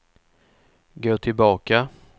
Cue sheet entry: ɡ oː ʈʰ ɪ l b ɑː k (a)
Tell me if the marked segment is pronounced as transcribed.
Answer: yes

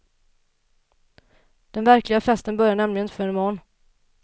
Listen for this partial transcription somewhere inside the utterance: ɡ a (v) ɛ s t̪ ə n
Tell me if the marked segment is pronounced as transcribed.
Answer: no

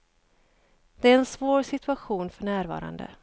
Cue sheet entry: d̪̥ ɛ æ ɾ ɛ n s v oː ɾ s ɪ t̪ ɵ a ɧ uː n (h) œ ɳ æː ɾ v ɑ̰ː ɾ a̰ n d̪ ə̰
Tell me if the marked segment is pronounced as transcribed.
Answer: no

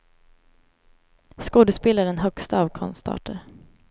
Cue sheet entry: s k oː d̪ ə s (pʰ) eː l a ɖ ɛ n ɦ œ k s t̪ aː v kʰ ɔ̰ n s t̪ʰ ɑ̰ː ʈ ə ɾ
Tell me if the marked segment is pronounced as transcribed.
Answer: no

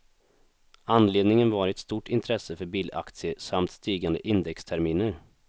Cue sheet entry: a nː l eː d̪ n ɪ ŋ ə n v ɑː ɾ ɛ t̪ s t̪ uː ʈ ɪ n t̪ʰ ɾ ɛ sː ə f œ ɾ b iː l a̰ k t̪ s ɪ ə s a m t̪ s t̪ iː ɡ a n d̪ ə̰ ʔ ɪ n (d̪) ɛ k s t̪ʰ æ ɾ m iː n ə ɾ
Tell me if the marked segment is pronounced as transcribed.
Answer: yes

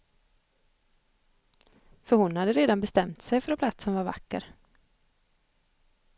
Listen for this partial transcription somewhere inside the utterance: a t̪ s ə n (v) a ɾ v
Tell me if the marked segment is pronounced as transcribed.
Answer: yes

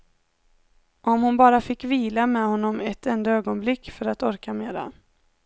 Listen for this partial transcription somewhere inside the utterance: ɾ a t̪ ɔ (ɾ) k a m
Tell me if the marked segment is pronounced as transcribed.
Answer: yes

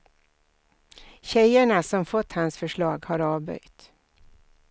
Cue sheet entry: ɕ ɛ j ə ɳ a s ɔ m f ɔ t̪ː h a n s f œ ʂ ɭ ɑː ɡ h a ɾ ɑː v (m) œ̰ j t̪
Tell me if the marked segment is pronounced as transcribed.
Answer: no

